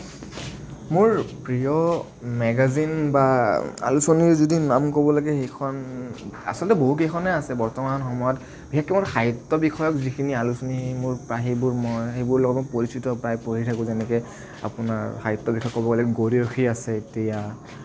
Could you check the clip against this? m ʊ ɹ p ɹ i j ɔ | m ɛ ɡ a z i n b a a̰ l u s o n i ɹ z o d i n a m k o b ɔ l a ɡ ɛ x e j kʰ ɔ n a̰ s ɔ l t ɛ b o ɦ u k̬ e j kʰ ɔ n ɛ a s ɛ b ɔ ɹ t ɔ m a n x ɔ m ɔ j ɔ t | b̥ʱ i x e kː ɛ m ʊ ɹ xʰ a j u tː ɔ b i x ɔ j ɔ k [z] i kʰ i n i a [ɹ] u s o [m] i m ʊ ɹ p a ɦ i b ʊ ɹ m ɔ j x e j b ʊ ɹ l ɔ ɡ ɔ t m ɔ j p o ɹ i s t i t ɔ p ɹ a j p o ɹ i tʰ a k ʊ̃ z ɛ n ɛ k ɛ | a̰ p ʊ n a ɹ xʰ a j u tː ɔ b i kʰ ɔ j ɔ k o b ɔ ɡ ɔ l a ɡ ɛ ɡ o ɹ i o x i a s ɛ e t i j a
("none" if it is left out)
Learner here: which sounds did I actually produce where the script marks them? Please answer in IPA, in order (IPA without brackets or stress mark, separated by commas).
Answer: z, l, n